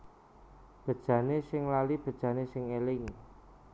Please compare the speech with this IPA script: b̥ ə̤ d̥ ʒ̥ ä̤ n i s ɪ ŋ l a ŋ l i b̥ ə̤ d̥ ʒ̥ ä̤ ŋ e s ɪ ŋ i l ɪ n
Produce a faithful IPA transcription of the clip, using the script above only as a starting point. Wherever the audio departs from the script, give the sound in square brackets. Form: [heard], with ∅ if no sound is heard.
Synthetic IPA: b̥ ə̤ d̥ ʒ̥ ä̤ n [e] s ɪ ŋ l a [∅] l i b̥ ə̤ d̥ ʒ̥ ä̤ [n] e s ɪ ŋ [e] l ɪ [ŋ]